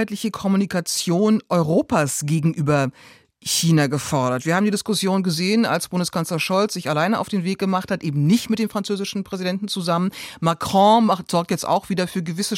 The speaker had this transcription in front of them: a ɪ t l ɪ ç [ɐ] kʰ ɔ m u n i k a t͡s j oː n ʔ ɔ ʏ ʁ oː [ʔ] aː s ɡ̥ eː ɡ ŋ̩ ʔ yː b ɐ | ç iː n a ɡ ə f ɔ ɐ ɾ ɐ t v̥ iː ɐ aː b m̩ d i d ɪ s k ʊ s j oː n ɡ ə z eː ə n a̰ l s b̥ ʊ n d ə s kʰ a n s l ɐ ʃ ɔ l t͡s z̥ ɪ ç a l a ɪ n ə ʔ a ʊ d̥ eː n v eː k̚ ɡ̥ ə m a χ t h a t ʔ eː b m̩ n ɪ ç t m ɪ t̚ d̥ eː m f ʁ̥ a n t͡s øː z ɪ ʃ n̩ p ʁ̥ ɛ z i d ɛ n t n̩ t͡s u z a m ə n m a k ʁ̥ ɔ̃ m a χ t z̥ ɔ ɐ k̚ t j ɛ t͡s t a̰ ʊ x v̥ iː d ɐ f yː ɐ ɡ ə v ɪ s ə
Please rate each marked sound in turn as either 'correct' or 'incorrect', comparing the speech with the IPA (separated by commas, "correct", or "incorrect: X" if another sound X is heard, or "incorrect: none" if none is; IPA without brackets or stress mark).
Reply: incorrect: ə, incorrect: p